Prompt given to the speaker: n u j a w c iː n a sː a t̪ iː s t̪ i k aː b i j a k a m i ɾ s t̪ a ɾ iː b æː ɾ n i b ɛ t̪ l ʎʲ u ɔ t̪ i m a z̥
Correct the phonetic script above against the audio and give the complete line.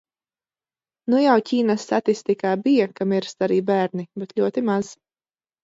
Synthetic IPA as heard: n u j a w c iː n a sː a t̪ i s t̪ i k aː b i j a k a m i ɾ s t̪ a ɾ iː b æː ɾ n i b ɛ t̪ l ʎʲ u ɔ t̪ i m a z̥